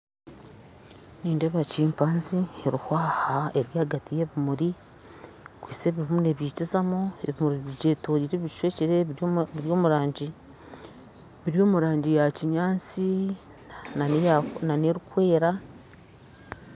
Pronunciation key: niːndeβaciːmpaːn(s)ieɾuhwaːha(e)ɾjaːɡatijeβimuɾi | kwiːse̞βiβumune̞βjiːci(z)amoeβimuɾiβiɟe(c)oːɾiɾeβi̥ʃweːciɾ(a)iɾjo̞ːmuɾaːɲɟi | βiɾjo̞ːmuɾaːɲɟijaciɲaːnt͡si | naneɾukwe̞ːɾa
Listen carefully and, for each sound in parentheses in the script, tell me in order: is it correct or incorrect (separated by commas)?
incorrect, correct, correct, incorrect, incorrect